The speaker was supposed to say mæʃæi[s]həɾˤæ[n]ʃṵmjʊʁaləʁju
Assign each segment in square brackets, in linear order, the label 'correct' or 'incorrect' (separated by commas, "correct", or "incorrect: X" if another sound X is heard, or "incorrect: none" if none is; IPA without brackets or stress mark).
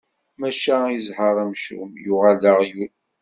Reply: incorrect: z, incorrect: m